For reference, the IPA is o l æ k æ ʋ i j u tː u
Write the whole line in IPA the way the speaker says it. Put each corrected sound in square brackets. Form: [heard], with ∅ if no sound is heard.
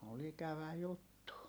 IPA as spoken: o l [i] k æ ʋ [æ] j u tː u